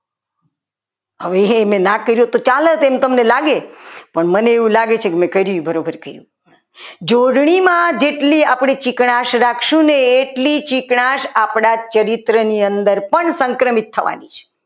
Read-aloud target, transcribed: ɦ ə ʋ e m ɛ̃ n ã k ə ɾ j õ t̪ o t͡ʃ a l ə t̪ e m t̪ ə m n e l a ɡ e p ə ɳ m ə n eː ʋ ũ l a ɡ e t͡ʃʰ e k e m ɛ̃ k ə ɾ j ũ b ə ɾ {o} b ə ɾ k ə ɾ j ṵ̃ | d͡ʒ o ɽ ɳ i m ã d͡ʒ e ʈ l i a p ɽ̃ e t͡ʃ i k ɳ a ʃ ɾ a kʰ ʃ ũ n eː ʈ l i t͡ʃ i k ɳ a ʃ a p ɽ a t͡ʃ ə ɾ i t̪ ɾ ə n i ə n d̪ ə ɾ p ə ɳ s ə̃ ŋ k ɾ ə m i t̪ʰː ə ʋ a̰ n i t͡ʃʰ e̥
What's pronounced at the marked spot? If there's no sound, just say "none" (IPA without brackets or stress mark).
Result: o